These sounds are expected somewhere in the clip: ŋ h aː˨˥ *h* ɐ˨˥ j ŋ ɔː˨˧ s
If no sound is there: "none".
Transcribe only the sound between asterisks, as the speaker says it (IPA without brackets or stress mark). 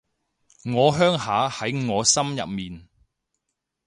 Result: h